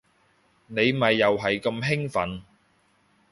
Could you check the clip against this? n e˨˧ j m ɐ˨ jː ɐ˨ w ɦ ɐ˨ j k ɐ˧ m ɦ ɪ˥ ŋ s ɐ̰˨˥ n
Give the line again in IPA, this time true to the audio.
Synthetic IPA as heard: n e˨˧ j m ɐ˨ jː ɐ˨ w ɦ ɐ˨ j k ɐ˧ m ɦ ɪ˥ ŋ f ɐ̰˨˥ n